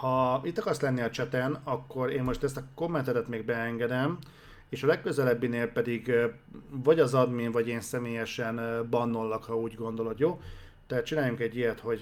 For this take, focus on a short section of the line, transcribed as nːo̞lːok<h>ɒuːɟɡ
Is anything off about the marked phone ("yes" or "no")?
no